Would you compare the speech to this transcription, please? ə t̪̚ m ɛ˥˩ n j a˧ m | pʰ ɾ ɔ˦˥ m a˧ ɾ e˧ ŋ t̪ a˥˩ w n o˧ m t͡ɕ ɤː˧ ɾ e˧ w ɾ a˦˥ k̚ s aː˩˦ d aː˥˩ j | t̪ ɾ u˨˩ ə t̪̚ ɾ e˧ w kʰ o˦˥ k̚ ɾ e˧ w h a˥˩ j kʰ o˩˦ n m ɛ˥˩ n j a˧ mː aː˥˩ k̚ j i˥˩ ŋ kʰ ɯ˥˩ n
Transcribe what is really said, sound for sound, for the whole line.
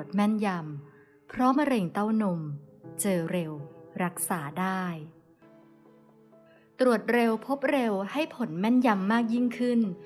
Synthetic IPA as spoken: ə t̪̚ m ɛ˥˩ n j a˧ m | pʰ ɾ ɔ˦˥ m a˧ ɾ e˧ ŋ t̪ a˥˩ w n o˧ m t͡ɕ ɤː˧ ɾ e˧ w ɾ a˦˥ k̚ s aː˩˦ d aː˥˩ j | t̪ ɾ u˨˩ ə t̪̚ ɾ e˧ w pʰ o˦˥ p̚ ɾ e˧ w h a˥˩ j pʰ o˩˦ n m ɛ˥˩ n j a˧ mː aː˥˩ k̚ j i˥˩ ŋ kʰ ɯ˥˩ n

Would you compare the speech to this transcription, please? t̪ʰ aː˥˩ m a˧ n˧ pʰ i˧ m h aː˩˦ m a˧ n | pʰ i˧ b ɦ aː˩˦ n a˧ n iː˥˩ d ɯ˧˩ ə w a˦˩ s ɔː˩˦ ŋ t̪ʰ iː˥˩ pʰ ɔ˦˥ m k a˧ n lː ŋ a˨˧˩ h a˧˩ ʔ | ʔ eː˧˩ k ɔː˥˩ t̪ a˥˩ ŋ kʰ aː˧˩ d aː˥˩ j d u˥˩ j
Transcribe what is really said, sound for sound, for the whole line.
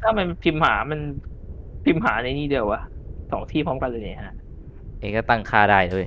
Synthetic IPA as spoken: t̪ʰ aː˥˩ m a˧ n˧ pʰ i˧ m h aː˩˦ m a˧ n | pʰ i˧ m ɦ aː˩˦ n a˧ n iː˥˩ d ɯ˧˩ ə w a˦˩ s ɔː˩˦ ŋ t̪ʰ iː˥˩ pʰ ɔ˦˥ m k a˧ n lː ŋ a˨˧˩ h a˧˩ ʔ | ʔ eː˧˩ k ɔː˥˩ t̪ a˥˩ ŋ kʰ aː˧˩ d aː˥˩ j d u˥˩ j

